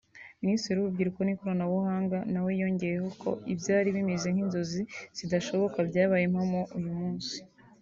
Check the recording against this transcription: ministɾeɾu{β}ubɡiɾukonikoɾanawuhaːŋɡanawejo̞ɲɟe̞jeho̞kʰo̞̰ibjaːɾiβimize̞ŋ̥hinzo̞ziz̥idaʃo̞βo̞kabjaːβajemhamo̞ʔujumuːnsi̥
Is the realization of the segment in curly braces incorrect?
no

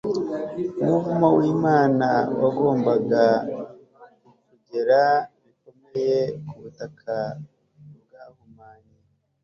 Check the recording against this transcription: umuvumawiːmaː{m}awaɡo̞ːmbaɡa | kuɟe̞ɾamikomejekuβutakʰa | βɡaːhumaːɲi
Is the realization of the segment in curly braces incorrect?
yes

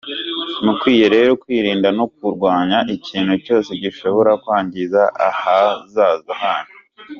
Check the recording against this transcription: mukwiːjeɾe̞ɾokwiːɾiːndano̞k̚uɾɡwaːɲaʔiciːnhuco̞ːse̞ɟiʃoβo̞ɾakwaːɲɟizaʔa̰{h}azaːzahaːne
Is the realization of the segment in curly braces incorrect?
no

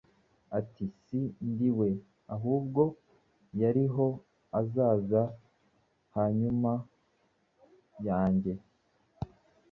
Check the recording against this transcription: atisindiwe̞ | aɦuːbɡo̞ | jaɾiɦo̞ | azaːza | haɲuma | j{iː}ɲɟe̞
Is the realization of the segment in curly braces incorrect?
yes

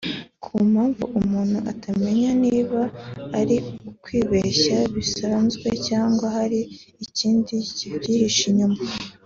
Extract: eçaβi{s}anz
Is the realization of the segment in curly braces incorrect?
no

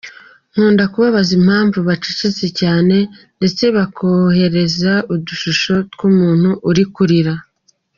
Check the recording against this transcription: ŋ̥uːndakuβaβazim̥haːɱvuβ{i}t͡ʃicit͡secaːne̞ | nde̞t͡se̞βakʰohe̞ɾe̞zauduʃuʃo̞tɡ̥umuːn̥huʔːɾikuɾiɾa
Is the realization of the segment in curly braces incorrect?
yes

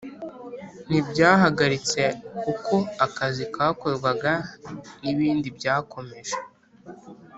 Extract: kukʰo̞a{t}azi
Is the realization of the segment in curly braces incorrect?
yes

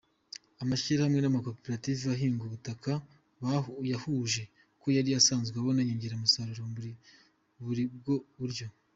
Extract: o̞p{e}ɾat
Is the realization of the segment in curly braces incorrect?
no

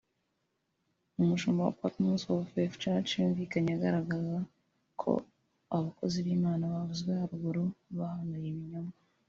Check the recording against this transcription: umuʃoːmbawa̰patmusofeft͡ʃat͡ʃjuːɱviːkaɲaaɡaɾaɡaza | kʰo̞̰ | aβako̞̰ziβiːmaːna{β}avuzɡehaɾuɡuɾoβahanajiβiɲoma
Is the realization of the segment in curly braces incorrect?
no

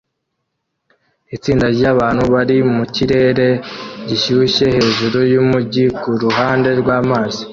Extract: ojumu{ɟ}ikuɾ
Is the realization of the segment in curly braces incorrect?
no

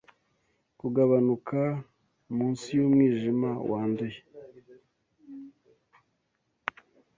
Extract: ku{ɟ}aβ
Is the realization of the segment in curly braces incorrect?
yes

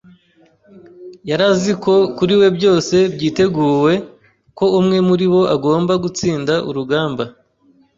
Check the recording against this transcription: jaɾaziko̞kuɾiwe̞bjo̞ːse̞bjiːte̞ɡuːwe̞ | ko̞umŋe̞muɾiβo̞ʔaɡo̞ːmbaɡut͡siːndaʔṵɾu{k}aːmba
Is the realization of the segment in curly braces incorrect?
yes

